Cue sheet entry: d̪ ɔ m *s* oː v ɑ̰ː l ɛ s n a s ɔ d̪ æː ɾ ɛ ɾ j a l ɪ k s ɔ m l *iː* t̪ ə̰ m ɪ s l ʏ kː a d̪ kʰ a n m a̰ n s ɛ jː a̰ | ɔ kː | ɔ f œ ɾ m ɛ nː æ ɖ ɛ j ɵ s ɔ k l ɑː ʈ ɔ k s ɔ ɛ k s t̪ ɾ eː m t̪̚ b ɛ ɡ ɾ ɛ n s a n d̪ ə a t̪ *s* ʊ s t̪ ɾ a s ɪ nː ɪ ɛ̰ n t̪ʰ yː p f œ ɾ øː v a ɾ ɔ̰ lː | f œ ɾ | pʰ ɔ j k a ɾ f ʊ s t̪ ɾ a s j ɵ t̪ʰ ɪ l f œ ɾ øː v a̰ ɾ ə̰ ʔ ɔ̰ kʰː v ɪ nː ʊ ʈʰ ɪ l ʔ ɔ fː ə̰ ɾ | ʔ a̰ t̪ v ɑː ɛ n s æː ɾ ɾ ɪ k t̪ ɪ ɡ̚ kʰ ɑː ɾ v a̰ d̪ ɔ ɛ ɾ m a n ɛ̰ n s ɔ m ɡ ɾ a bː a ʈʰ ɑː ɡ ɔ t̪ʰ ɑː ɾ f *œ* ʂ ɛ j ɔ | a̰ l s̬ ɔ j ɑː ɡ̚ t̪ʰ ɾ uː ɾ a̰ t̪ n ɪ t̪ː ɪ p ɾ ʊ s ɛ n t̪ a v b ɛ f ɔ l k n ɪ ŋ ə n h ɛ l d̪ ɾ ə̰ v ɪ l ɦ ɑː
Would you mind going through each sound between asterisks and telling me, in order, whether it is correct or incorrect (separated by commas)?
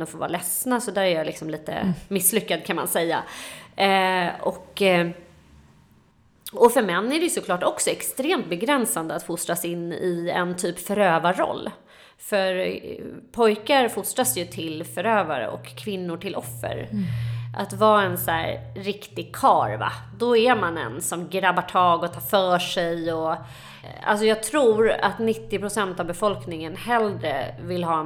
incorrect, correct, incorrect, incorrect